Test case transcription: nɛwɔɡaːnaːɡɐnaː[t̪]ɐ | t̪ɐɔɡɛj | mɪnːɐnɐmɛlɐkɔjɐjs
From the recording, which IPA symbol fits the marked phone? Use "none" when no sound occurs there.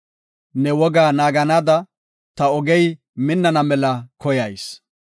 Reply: d̪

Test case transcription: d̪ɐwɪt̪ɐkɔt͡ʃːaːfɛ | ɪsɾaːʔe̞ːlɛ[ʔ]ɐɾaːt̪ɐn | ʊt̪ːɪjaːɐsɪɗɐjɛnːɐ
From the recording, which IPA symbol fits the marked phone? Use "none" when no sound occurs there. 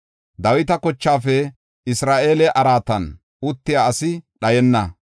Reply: ʔ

